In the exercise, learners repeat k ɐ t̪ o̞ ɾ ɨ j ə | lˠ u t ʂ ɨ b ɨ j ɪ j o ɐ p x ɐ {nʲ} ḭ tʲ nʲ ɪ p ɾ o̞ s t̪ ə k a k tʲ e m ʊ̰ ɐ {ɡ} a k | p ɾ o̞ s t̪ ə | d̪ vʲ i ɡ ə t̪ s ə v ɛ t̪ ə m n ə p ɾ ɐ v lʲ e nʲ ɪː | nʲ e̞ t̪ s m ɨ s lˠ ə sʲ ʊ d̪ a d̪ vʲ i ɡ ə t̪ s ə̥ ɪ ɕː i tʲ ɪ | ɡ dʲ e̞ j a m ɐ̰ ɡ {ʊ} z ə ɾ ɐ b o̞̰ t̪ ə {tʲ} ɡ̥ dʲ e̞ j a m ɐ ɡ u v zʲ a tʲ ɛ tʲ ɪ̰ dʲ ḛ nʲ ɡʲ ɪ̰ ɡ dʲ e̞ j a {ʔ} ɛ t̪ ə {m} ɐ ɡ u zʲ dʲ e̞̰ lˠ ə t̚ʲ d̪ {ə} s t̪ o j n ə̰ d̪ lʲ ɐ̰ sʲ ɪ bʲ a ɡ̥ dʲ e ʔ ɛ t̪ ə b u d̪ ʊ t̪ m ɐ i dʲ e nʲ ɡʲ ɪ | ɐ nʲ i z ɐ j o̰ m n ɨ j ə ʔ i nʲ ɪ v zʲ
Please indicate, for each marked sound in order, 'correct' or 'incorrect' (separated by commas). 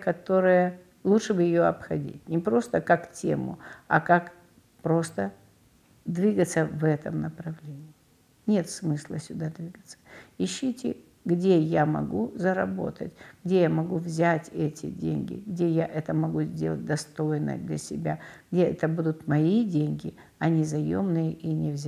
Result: incorrect, incorrect, incorrect, correct, correct, correct, incorrect